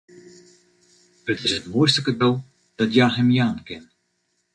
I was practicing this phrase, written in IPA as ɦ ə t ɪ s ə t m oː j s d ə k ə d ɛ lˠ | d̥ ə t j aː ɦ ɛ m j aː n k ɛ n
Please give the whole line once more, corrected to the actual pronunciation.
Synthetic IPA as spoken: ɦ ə t ɪ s ə t m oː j s t ə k ə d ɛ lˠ | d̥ ɑ t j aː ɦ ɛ m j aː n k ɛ n